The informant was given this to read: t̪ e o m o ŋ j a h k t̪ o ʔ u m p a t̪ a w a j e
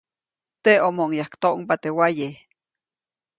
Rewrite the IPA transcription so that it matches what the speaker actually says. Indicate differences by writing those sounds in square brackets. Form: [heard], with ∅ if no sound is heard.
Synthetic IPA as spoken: t̪ e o m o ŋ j a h k t̪ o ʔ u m p a t̪ [e] w a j e

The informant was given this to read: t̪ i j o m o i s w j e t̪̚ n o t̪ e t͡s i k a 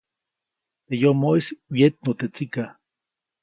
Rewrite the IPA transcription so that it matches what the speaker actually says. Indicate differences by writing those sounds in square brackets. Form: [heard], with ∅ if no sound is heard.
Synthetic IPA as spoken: t̪ [e] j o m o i s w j e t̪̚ n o t̪ e t͡s i k a

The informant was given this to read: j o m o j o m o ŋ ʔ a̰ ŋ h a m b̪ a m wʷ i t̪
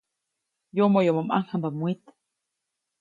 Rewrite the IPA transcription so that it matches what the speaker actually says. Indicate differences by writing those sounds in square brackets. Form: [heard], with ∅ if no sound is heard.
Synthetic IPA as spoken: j o m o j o m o [m] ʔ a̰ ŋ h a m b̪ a m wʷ i t̪

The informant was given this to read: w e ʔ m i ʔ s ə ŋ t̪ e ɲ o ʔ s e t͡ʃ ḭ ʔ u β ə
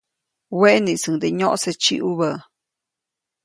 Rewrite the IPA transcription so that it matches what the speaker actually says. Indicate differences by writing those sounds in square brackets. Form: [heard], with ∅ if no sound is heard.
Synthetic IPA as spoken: w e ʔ [n] i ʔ s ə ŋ [d̪] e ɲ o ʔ s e t͡ʃ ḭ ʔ u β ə

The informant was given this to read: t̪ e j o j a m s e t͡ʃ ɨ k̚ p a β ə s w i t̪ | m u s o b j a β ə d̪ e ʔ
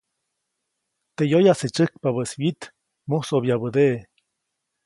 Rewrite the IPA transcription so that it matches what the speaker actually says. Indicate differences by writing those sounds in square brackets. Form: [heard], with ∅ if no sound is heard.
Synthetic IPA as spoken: t̪ e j o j a [∅] s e t͡ʃ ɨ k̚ p a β ə s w i t̪ | m u s o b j a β ə d̪ e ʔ

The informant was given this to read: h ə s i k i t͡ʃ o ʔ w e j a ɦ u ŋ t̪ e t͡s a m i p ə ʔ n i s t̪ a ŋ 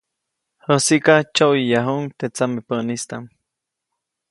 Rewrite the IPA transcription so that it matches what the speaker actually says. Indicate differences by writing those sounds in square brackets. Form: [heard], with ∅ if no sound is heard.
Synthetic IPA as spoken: h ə s i k [a] t͡ʃ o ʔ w [i] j a ɦ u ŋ t̪ e t͡s a m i p ə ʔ n i s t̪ a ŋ

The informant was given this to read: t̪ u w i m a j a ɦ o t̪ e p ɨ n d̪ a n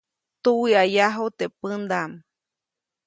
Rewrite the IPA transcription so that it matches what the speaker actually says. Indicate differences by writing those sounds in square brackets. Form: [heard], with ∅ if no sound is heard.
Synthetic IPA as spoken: t̪ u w i [∅] a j a ɦ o t̪ e p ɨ n d̪ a [m]

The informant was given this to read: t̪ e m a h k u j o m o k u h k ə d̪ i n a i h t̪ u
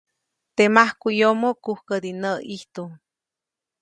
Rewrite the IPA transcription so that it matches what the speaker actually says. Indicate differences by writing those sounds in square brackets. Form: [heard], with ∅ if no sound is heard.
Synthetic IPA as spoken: t̪ e m a h k u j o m o k u h k ə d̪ i n [ə] i h t̪ u

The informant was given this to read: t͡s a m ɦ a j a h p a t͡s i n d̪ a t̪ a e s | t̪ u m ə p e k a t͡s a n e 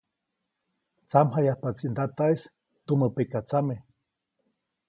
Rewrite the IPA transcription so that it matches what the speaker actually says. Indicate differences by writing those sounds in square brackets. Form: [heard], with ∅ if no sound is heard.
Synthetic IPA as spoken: t͡s a m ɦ a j a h p a t͡s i n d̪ a t̪ a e s | t̪ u m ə p e k a t͡s a [m] e

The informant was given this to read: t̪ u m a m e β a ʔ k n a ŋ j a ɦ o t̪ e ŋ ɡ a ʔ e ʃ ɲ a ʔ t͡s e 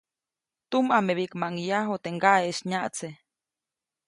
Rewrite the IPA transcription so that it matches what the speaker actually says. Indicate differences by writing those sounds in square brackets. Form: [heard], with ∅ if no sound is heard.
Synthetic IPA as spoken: t̪ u m a m e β [i] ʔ k [m] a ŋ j a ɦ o t̪ e ŋ ɡ a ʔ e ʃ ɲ a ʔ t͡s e

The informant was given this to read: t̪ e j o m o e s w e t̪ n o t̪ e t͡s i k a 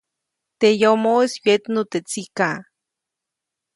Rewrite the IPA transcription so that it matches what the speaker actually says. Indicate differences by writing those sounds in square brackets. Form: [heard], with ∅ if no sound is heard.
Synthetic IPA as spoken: t̪ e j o m o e s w e t̪ n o t̪ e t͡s i k a

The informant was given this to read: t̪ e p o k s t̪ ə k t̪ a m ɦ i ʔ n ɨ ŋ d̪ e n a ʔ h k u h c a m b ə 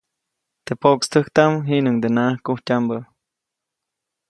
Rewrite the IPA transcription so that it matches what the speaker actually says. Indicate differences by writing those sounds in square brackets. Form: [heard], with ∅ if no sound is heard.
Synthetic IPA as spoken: t̪ e p o k s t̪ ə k t̪ a m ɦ i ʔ n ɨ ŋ d̪ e n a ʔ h k u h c a m b ə

